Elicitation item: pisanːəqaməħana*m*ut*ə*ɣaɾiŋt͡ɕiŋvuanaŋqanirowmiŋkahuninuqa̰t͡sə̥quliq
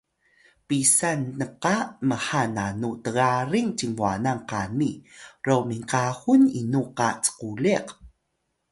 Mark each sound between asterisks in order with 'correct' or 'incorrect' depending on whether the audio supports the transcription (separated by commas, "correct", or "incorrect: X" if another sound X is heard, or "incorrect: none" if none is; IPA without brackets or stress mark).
incorrect: n, correct